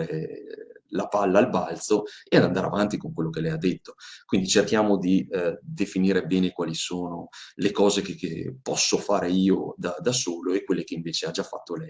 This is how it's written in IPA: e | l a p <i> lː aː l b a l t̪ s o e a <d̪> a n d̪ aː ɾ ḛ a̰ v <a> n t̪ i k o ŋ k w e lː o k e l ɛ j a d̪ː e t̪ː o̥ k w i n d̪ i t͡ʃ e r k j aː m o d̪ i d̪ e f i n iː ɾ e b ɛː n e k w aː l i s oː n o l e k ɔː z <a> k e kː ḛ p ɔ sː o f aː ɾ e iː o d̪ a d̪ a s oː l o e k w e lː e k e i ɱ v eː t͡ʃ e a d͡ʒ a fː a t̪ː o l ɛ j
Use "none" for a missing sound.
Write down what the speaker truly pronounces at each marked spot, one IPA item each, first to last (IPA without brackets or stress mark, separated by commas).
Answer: a, d̪, a, e